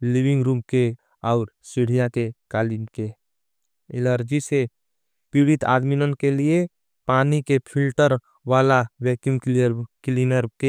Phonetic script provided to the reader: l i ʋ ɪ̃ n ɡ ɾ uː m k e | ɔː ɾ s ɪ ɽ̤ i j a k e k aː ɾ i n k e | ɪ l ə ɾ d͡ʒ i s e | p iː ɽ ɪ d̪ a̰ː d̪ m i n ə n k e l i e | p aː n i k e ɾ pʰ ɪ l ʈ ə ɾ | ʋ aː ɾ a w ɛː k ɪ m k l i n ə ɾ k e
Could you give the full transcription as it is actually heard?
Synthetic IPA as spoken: l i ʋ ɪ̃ ŋ ɡ ɾ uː m k e | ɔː ɾ s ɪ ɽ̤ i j a k e k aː l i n k e | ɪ l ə ɾ d͡ʒ i s e | p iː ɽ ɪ t̪ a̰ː d̪ m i n ə n k e l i e | p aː n i k e pʰ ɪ l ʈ ə ɾ | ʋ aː l a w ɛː k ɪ m k l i n ə ɾ k e

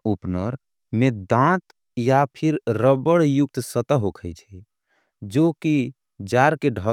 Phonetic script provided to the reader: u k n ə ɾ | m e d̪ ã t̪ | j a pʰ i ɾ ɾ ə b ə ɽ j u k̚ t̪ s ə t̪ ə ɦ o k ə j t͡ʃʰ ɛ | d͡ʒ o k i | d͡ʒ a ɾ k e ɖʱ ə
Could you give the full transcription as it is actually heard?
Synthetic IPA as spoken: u p n ə ɾ | m e d̪ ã t̪ | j a pʰ i ɾ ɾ ə b ə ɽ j u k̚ t̪ s ə t̪ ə ɦ o kʰ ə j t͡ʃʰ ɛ | d͡ʒ o k i | d͡ʒ a ɾ k e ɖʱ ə

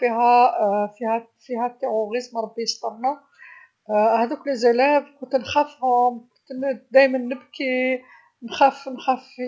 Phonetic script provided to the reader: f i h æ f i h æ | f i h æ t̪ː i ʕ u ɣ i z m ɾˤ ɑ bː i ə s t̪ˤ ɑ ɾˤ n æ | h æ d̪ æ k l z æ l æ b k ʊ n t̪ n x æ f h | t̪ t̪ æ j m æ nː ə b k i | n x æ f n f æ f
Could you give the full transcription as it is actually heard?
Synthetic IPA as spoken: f i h æ f i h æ | f i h æ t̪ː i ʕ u ɣ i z m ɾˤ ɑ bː i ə s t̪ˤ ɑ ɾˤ n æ | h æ d̪ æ k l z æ l æ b k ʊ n t̪ n x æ f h | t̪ d̪ æ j m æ nː ə b k i | n x æ f n x æ f

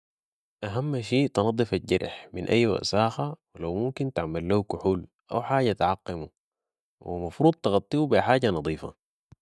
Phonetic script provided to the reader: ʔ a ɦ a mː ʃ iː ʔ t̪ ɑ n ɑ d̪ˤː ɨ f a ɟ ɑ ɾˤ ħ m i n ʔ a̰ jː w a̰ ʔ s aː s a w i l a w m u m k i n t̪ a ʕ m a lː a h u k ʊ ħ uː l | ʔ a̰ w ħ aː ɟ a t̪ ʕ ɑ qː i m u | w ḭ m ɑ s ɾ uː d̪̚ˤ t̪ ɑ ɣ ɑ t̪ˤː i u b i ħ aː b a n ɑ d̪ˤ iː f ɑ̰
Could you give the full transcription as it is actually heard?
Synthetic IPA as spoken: ʔ a ɦ a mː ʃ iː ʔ t̪ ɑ n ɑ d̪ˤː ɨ f a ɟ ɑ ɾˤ ħ m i n ʔ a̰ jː w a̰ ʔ s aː x a w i l a w m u m k i n t̪ a ʕ m a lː a h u k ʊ ħ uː l | ʔ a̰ w ħ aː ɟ a t̪ ʕ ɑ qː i m u | w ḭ m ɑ f ɾ uː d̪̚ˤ t̪ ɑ ɣ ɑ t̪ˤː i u b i ħ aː ɟ a n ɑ d̪ˤ iː f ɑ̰

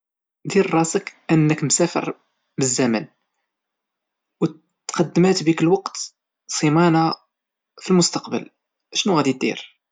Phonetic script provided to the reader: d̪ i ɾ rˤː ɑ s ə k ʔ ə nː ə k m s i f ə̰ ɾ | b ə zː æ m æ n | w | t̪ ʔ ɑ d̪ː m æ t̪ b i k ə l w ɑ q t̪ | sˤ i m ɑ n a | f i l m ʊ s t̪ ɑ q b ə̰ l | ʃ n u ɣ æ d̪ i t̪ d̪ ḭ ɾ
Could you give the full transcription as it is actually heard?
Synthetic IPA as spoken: d̪ i ɾ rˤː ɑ s ə k ʔ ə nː ə k m s æ f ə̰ ɾ | b ə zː æ m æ n | w | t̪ q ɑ d̪ː m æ t̪ b i k ə l w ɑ q t̪ | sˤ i m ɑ n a | f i l m ʊ s t̪ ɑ q b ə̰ l | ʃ n u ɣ æ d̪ i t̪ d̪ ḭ ɾ

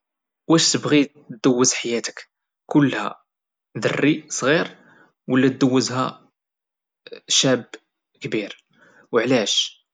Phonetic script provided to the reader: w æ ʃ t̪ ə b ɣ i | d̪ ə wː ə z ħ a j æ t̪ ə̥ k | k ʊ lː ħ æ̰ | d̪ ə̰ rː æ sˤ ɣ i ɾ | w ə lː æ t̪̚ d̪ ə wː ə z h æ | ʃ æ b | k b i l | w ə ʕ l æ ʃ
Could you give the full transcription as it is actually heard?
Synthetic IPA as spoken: w æ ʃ t̪ ə b ɣ i | d̪ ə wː ə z ħ a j æ t̪ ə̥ k | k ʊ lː h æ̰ | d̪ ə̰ rː i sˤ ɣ i ɾ | w ə lː æ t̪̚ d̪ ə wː ə z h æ | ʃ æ b | k b i ɾ | w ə ʕ l æ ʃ

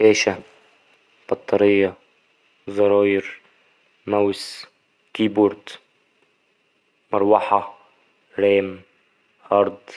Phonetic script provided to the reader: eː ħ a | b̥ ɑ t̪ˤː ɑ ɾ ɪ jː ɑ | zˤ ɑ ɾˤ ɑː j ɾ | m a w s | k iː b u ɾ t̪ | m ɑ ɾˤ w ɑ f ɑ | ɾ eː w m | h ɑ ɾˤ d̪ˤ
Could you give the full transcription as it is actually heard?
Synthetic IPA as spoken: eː ʃ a | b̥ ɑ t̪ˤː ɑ ɾ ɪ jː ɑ | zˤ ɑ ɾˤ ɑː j ɾ | m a w s | k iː b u ɾ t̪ | m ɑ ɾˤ w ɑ ħ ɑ | ɾ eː m | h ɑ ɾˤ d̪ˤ

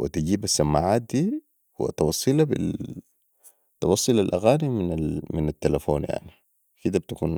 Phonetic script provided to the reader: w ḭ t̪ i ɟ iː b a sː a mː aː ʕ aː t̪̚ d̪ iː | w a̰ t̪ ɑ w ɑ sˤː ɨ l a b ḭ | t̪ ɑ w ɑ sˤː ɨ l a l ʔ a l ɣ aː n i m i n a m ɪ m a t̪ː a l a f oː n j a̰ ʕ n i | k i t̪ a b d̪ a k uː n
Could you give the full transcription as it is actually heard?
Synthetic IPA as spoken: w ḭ t̪ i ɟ iː b a sː a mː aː ʕ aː t̪̚ d̪ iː | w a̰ t̪ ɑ w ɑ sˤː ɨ l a b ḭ | t̪ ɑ w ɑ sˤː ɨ l a l ʔ a ɣ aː n i m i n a m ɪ n a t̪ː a l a f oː n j a̰ ʕ n i | k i d̪ a b t̪ a k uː n

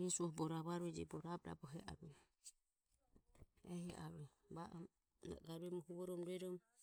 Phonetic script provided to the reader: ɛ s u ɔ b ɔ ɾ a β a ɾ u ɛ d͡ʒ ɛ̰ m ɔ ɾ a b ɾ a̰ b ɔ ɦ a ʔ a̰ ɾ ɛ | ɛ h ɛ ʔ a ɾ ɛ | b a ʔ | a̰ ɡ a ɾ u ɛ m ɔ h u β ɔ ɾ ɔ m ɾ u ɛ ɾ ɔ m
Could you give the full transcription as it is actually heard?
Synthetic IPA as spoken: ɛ s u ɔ b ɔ ɾ a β a ɾ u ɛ d͡ʒ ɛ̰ b ɔ ɾ a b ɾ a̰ b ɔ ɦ ɛ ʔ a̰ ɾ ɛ | ɛ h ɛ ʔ a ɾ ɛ | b a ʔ | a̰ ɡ a ɾ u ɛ m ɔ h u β ɔ ɾ ɔ m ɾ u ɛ ɾ ɔ m

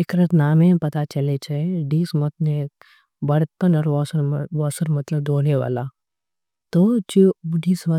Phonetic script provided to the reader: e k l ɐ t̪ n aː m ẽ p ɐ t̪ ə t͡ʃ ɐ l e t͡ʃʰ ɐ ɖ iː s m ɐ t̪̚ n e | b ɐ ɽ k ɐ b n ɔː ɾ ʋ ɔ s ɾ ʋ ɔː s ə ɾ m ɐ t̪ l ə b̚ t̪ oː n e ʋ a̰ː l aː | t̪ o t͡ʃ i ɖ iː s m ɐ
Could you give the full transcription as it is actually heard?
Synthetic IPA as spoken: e k ɾ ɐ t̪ n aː m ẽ p ɐ t̪ a t͡ʃ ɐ l e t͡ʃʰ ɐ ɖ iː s m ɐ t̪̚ n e | b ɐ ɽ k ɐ n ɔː ɾ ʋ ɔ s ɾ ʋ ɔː s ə ɾ m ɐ t̪ l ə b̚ d̪ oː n e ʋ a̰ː l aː | t̪ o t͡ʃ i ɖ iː s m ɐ

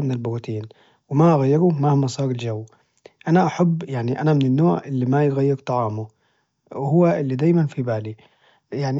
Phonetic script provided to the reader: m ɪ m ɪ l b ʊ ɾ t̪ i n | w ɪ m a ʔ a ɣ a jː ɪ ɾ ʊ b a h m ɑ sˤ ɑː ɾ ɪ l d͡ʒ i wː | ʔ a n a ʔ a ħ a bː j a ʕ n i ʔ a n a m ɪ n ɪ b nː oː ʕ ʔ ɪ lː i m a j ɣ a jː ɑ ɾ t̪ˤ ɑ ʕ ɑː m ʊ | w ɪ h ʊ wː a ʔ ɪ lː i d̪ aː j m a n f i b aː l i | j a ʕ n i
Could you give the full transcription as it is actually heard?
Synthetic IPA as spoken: m ɪ n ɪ l b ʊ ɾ t̪ iː n | w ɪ m a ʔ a ɣ a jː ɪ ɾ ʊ m a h m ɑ sˤ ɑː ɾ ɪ l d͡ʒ a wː | ʔ a n a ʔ a ħ a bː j a ʕ n i ʔ a n a m ɪ n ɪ nː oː ʕ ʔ ɪ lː i m a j ɣ a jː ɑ ɾ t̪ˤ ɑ ʕ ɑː m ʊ | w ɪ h ʊ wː a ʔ ɪ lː i d̪ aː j m a n f i b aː l i | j a ʕ n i

